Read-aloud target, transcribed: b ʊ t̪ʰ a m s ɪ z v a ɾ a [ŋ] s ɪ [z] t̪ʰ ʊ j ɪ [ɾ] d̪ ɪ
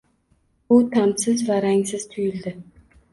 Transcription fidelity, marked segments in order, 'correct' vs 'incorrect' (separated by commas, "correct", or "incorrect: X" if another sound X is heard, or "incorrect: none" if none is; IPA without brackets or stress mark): correct, correct, incorrect: l